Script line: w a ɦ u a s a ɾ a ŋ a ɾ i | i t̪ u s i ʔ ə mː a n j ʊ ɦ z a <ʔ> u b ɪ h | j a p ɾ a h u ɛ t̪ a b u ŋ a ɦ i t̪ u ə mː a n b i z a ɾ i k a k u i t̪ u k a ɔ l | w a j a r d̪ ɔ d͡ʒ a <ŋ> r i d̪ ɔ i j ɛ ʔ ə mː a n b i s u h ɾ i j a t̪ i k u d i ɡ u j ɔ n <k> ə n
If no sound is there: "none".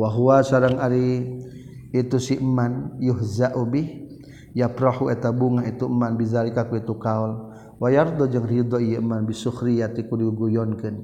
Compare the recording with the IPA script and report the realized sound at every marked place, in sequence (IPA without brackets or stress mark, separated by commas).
ʔ, ŋ, k